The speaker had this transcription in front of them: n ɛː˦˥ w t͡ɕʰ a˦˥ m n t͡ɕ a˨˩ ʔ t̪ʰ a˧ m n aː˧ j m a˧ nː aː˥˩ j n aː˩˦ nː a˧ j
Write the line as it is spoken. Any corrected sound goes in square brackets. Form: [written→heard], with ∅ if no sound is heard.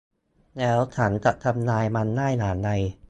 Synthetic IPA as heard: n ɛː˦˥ w t͡ɕʰ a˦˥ [m→∅] n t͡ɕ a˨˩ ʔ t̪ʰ a˧ m n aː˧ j m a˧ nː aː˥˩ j n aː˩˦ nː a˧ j